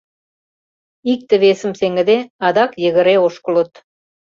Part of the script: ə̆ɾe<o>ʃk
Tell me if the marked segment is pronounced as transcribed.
yes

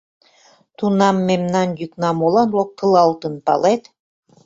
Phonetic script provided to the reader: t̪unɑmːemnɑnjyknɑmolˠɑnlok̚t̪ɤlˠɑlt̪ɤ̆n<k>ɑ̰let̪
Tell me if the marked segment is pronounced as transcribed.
no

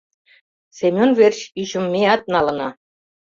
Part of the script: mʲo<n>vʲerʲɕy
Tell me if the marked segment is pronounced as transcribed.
yes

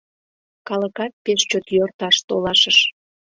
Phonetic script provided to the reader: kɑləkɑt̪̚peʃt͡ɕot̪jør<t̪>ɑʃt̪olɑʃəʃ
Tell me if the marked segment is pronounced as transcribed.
yes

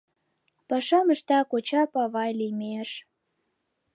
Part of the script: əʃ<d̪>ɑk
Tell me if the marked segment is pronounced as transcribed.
no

